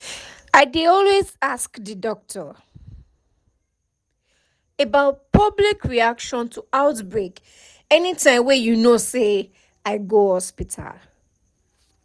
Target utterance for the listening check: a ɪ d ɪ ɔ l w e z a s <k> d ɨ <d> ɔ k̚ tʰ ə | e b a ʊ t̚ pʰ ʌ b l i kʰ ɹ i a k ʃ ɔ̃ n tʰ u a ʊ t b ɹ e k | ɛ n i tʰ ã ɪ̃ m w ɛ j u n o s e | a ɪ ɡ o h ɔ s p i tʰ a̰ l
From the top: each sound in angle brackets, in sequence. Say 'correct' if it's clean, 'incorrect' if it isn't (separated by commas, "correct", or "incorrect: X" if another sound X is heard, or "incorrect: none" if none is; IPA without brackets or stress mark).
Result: correct, correct